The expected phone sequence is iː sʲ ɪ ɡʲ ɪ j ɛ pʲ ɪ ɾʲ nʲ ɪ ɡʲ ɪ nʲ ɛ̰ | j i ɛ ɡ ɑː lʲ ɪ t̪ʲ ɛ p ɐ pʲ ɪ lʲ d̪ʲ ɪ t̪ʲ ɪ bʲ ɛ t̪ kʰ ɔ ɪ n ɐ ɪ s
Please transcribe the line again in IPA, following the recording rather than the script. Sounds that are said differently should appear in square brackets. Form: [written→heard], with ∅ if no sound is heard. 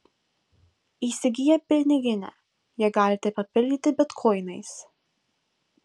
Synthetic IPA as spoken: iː sʲ ɪ ɡʲ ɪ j ɛ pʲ ɪ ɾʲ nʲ ɪ ɡʲ ɪ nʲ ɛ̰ | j i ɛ ɡ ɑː lʲ ɪ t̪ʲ ɛ p ɐ pʲ ɪ lʲ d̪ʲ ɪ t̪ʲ ɪ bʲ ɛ t̪ kʰ ɔ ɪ n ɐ ɪ s